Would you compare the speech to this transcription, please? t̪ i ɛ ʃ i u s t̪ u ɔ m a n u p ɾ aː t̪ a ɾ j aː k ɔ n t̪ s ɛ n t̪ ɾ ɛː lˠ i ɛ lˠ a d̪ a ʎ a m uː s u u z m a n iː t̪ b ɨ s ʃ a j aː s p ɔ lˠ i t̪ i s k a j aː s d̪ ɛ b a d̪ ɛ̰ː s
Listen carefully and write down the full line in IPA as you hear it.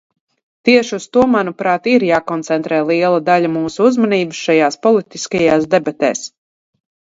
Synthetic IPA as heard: t̪ i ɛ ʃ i u s t̪ u ɔ m a n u p ɾ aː t̪ i ɾ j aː k ɔ n t̪ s ɛ n t̪ ɾ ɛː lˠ i ɛ lˠ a d̪ a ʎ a m uː s u u z m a n iː b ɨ s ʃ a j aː s p ɔ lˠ i t̪ i s k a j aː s d̪ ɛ b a t̪ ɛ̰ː s

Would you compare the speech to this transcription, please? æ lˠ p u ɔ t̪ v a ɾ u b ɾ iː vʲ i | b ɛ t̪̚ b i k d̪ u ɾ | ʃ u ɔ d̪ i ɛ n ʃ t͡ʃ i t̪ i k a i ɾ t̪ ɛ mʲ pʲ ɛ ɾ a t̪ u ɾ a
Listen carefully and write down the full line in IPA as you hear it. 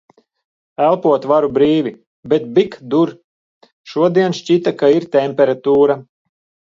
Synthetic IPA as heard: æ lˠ p u ɔ t̪ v a ɾ u b ɾ iː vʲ i | b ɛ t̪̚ b i k d̪ u ɾ | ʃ u ɔ d̪ i ɛ n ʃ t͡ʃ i t̪ a k a i ɾ t̪ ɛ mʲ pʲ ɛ ɾ a t̪ uː ɾ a

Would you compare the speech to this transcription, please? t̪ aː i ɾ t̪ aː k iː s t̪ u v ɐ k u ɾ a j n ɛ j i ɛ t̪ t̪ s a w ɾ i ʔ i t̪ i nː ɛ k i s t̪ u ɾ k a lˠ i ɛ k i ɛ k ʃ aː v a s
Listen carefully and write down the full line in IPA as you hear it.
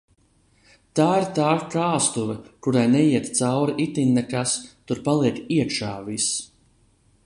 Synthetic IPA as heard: t̪ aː i ɾ t̪ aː k aː s t̪ u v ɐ k u ɾ a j n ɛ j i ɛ t̪ t̪ s a w ɾ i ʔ i t̪ i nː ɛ k a s t̪ u ɾ p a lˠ i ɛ k i ɛ k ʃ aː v i s

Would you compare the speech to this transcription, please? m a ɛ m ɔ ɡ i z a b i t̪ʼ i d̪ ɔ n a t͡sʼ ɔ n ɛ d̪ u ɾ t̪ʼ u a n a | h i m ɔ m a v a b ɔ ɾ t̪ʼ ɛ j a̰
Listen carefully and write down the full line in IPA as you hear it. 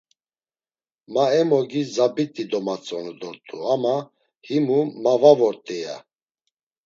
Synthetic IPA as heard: m a ɛ m ɔ ɡ i z a b i t̪ʼ i d̪ ɔ m a t͡sʼ ɔ n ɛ d̪ ɔ ɾ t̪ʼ u a m a | h i m u m a v a v ɔ ɾ t̪ʼ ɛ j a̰

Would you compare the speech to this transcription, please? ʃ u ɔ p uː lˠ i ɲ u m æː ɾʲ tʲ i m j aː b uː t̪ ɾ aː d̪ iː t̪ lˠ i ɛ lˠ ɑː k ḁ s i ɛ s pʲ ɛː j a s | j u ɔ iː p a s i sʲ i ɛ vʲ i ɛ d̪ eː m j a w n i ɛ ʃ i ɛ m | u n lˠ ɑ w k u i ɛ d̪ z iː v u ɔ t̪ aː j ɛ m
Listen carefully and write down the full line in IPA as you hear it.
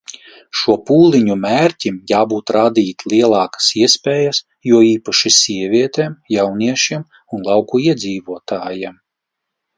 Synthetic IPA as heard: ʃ u ɔ p uː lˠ i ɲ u m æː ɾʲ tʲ i m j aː b uː t̪ ɾ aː d̪ iː t̪ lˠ i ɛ lˠ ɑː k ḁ s i ɛ s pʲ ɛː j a s | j u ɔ iː p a ʃ i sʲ i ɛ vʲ i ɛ t̪ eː m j a w n i ɛ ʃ i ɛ m | u n lˠ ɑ w k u i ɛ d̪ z iː v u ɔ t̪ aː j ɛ m

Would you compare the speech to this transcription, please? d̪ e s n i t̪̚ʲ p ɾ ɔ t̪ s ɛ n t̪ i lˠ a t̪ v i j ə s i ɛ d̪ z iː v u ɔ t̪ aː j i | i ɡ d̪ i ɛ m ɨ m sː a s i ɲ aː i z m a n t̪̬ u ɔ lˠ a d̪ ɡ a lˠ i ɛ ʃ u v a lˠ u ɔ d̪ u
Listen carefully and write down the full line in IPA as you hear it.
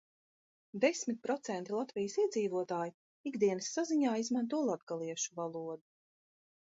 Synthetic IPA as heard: d̪ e s m i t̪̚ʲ p ɾ ɔ t̪ s ɛ n t̪ i lˠ a t̪ v i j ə s i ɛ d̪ z iː v u ɔ t̪ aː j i | i ɡ d̪ i ɛ n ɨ sː a z i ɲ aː i z m a n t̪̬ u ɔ lˠ a d̪ ɡ a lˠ i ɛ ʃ u v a lˠ u ɔ d̪ u

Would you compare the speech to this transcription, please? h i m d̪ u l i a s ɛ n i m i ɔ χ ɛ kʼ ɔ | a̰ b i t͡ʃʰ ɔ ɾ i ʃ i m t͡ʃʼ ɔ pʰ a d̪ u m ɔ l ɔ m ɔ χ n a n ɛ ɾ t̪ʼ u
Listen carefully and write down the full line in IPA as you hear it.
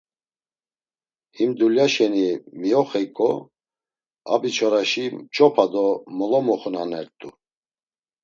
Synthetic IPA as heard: h i m d̪ u l j a ʃ ɛ n i m i ɔ χ ɛ kʼ ɔ | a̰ b i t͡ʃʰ ɔ ɾ a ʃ i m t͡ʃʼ ɔ pʰ a d̪ ɔ m ɔ l ɔ m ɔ χ n a n ɛ ɾ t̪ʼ u

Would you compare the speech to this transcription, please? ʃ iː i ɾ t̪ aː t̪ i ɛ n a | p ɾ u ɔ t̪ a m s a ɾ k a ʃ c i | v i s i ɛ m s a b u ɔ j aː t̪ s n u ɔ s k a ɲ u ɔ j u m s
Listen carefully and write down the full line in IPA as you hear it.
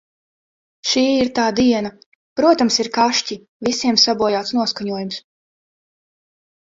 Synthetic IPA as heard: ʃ iː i ɾ t̪ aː d̪ i ɛ n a | p ɾ u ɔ t̪ a m s i ɾ k a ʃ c i | v i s i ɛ m s a b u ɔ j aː t̪ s n u ɔ s k a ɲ u ɔ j u m s

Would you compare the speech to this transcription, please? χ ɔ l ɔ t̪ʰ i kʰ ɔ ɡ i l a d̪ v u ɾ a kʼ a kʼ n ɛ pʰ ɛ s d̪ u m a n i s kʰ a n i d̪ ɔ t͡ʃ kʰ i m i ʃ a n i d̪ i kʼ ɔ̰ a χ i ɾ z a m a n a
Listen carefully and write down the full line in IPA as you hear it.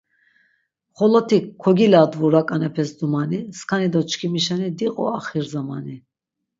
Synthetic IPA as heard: χ ɔ l ɔ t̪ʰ i kʰ ɔ ɡ i l a d̪ v u ɾ a kʼ a n ɛ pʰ ɛ s d̪ u m a n i s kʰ a n i d̪ ɔ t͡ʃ kʰ i m i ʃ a n i d̪ i qʼ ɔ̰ a χ i ɾ z a m a n i

